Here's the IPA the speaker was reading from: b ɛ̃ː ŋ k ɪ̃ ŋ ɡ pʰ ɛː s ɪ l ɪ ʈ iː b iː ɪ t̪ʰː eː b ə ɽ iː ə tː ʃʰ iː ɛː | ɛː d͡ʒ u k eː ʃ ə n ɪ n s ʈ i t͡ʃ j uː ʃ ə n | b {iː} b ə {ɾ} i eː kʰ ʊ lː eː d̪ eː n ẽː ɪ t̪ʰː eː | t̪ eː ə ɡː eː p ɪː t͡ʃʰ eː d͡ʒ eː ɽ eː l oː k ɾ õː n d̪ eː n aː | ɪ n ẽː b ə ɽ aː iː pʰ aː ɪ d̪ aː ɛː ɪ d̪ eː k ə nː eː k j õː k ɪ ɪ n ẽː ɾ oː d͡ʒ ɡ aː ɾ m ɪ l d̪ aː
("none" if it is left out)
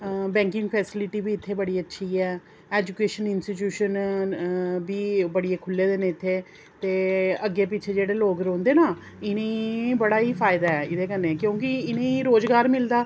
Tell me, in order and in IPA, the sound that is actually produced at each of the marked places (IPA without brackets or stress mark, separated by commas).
iː, ɽ